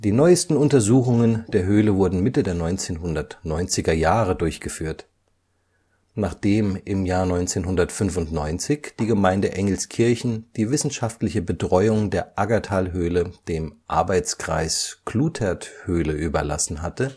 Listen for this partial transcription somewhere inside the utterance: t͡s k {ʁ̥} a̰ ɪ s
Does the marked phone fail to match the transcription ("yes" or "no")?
no